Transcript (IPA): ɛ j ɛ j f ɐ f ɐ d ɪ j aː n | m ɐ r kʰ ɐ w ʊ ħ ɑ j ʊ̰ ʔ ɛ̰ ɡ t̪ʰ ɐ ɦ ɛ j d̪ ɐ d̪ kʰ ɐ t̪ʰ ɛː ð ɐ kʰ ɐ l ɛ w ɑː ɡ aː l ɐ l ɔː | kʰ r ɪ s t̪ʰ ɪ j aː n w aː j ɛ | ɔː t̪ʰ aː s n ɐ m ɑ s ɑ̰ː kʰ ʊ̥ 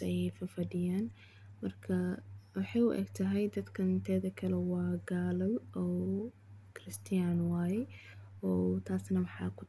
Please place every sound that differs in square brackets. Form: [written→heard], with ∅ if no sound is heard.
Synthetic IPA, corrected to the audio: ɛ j ɛ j f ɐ f ɐ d ɪ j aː n | m ɐ r kʰ ɐ w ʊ ħ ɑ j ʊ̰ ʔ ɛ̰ ɡ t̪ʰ ɐ ɦ ɛ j d̪ ɐ d̪ kʰ ɐ t̪ʰ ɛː ð ɐ kʰ ɐ l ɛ w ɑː ɡ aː l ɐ l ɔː | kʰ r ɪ s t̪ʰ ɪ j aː n w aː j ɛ | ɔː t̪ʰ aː s n ɐ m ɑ [s→ħ] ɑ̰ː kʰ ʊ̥